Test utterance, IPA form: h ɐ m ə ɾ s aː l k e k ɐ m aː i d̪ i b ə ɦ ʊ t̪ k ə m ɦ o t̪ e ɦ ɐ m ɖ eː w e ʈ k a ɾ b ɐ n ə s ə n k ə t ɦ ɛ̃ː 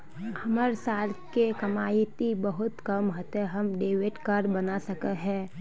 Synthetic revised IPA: h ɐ m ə ɾ s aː l k e k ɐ m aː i t̪ i b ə ɦ ʊ t̪ k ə m ɦ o t̪ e ɦ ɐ m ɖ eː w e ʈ k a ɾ b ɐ n a s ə k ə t ɦ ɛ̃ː

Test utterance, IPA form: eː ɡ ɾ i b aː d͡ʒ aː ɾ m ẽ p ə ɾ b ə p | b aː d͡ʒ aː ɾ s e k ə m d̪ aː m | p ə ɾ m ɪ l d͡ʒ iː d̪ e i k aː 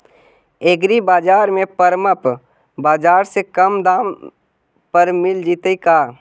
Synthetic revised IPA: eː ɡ ɾ i b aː d͡ʒ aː ɾ m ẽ p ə ɾ m ə p | b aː d͡ʒ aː ɾ s e k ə m d̪ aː m | p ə ɾ m ɪ l d͡ʒ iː t̪ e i k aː

